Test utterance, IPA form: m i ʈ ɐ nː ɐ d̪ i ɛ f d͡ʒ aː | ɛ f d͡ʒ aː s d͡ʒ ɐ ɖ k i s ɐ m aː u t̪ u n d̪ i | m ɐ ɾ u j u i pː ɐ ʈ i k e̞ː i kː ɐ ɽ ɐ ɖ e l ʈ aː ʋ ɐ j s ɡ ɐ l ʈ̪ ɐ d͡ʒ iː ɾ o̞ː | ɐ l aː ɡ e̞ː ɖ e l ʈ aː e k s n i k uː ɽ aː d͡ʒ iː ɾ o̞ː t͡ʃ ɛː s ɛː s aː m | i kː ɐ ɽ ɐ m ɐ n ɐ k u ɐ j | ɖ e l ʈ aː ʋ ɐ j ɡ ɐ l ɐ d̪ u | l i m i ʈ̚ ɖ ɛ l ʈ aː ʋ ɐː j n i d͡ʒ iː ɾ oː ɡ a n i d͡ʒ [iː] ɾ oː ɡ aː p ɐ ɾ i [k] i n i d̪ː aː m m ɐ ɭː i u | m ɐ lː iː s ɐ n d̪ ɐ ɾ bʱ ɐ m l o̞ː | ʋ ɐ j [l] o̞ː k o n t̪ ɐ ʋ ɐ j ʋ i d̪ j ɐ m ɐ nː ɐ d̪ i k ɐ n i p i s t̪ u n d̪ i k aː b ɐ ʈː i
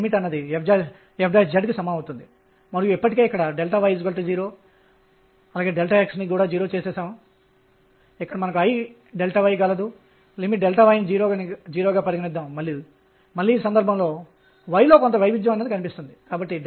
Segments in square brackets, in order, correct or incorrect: correct, incorrect, correct

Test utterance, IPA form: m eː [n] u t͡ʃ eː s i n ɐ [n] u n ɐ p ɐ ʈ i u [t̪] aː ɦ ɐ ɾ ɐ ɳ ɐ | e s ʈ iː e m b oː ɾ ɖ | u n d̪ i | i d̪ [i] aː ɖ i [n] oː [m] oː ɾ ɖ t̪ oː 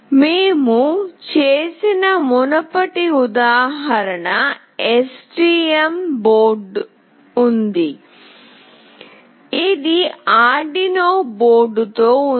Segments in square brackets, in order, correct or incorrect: incorrect, incorrect, incorrect, correct, correct, incorrect

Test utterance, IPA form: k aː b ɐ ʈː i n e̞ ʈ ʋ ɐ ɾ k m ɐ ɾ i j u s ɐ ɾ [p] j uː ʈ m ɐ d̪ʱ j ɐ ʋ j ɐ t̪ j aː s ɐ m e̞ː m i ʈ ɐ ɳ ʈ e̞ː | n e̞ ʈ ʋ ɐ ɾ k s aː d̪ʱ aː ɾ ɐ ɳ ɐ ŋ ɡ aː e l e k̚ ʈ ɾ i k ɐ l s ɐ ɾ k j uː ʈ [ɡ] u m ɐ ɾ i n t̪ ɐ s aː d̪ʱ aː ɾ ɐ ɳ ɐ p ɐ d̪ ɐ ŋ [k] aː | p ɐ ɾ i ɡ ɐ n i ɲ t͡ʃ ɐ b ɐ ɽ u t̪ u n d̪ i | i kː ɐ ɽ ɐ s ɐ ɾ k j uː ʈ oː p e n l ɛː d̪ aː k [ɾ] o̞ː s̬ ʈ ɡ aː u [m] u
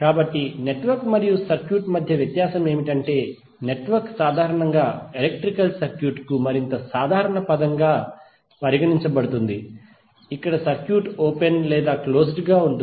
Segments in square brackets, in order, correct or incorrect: incorrect, incorrect, incorrect, incorrect, incorrect

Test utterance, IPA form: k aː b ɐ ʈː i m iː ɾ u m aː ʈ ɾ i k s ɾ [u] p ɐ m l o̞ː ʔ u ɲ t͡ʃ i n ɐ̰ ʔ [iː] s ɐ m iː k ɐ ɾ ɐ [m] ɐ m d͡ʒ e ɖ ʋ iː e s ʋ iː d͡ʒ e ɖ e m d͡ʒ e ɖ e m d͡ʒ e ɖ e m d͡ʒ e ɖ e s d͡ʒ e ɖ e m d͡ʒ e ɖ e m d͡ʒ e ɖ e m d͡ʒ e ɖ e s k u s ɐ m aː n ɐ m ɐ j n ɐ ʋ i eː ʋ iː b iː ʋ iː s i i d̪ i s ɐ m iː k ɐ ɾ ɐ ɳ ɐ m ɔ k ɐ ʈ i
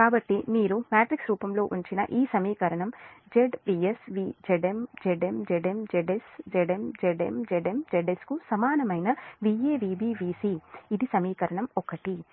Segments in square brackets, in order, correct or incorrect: incorrect, correct, incorrect

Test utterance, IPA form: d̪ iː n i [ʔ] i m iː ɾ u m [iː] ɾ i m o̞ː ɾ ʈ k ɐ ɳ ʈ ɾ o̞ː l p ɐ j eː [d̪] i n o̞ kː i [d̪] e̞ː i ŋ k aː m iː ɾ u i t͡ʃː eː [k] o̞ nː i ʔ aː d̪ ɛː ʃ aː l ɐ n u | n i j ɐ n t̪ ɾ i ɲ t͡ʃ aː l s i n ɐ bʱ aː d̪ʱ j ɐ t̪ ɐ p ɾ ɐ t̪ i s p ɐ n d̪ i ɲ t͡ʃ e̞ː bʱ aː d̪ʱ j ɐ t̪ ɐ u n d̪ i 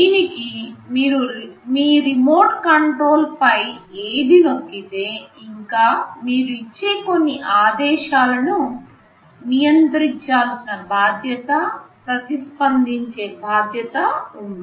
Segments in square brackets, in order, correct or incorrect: incorrect, correct, correct, incorrect, correct

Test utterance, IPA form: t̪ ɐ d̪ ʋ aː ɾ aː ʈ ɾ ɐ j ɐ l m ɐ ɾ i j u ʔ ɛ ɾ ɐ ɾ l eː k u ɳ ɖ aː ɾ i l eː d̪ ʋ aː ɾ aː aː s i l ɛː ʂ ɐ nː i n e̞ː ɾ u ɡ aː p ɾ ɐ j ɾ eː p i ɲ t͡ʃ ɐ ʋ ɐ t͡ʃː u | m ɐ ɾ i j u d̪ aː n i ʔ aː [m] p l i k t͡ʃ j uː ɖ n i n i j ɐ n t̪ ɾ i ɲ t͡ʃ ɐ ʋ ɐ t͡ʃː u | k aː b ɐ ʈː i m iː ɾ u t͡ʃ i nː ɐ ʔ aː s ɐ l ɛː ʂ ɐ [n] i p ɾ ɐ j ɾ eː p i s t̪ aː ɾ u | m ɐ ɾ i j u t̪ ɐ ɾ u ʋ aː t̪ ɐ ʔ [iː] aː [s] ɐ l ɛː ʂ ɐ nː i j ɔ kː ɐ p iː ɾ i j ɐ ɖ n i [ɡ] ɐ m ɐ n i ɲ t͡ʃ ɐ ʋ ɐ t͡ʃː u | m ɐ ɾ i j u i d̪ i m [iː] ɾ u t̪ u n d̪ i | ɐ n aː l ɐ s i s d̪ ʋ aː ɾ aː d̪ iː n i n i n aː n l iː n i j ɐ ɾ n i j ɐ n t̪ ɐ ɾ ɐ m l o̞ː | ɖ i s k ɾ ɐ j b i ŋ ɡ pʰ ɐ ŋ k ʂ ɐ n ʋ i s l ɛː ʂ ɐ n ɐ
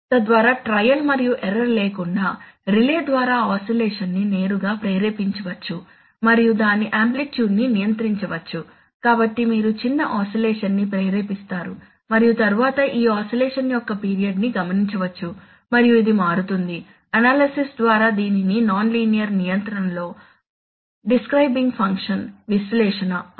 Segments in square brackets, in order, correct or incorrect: correct, incorrect, correct, correct, correct, incorrect

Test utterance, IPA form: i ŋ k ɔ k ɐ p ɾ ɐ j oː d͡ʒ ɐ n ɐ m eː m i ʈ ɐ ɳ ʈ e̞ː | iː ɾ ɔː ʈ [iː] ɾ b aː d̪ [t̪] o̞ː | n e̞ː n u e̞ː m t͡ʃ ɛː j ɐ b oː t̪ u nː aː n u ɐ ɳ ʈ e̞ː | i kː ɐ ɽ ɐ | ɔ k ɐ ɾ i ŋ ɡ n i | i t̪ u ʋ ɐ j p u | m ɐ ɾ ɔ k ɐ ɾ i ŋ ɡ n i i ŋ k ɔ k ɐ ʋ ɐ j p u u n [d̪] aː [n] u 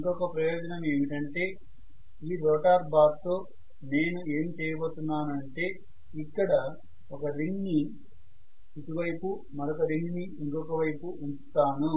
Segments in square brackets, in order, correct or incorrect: incorrect, correct, incorrect, correct

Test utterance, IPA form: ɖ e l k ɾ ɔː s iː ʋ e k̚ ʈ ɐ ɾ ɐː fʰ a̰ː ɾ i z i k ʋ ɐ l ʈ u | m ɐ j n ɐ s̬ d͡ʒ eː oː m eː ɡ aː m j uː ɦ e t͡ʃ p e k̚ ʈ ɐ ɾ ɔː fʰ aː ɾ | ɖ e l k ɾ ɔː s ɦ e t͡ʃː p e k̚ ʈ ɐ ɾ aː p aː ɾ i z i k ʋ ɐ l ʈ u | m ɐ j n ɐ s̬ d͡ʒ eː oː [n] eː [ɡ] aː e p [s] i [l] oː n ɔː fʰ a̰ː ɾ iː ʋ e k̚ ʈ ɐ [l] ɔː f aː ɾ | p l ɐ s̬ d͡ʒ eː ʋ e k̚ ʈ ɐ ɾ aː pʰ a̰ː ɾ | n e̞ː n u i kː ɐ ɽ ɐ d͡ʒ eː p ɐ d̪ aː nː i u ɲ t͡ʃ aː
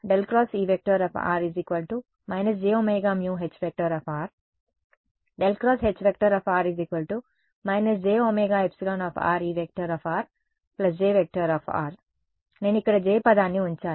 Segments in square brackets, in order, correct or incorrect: incorrect, correct, correct, correct, incorrect

